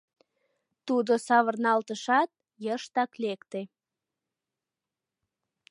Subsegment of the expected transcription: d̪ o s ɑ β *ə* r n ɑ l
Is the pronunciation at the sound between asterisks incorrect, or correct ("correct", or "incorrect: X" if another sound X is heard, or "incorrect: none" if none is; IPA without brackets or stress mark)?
correct